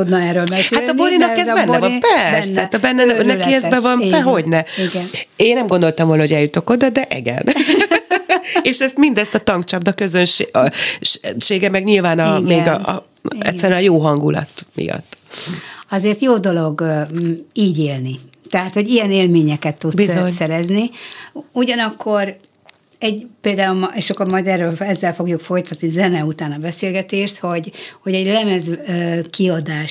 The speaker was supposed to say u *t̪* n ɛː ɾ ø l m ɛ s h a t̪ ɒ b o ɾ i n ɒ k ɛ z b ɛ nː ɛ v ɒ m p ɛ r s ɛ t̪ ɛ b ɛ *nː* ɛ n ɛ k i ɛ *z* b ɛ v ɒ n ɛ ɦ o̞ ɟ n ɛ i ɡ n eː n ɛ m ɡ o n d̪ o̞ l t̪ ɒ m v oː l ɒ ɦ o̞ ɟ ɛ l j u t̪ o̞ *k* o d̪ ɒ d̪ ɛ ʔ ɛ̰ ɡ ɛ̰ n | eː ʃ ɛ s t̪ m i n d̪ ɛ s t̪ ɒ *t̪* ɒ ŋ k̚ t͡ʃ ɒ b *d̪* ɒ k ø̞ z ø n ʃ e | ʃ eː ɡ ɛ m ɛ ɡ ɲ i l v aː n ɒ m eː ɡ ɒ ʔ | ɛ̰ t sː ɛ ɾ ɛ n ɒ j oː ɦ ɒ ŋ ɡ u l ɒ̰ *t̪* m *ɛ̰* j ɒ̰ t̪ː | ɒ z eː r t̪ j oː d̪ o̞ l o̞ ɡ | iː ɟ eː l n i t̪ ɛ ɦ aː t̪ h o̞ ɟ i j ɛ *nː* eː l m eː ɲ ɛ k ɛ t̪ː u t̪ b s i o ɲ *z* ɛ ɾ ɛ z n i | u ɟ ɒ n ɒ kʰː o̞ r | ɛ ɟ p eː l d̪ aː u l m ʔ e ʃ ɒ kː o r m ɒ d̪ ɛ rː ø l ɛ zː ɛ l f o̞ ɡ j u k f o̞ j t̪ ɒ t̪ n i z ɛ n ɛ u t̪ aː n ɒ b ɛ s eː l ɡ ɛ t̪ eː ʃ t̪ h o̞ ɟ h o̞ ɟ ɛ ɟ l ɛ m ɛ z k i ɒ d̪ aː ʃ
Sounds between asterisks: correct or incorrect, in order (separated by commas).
incorrect, correct, correct, correct, correct, correct, correct, incorrect, incorrect, incorrect